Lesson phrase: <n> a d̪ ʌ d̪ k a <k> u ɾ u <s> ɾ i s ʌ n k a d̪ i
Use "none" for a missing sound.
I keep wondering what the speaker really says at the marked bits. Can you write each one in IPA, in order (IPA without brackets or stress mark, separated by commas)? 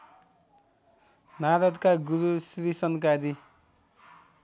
n, ɡ, s